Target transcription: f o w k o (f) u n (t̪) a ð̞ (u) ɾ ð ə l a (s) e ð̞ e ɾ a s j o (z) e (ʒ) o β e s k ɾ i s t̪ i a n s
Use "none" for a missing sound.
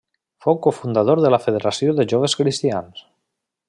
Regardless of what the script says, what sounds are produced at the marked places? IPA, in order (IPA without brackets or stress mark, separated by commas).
f, d̪, o, f, ð, ʒ